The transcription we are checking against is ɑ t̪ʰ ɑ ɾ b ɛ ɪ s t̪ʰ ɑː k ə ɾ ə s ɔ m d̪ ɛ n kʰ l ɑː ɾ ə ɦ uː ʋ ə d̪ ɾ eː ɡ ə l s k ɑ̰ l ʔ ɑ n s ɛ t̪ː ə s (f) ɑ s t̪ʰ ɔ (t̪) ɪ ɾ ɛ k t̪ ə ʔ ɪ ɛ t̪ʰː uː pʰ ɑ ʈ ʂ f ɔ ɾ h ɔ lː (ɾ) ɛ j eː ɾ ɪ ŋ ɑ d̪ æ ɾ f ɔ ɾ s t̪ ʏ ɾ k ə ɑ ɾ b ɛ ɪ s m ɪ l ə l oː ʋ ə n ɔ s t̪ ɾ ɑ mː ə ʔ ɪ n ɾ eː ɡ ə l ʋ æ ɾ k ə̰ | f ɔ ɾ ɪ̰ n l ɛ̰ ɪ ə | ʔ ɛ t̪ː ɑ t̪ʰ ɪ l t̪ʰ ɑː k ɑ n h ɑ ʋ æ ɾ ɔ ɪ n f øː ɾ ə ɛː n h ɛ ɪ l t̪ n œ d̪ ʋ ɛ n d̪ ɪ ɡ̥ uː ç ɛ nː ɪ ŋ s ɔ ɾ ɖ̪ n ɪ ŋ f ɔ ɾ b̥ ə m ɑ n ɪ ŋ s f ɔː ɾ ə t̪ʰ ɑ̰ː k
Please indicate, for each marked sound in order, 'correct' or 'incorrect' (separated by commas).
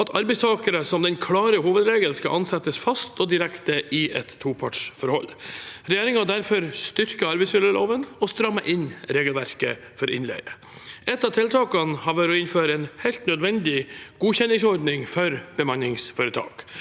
correct, incorrect, correct